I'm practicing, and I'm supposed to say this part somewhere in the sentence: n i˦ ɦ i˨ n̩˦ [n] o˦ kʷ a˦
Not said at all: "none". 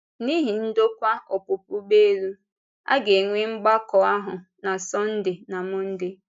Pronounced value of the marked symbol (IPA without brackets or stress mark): d